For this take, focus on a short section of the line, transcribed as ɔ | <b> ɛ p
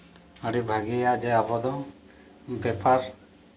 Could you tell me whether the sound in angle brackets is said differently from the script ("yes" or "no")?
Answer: no